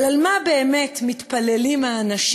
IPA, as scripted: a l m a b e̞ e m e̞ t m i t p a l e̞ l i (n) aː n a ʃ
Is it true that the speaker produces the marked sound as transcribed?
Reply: no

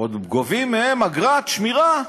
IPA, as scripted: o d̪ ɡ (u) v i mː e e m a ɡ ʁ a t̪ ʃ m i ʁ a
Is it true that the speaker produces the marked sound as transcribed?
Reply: no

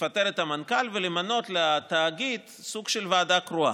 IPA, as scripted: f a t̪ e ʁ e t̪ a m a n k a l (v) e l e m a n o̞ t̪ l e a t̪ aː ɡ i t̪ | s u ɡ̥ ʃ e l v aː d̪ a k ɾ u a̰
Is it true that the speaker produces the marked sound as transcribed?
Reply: yes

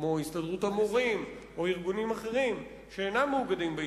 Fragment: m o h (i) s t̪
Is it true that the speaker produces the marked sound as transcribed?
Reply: yes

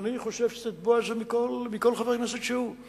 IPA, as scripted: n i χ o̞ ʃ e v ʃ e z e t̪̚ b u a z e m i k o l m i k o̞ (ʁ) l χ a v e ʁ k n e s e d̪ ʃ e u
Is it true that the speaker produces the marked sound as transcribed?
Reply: no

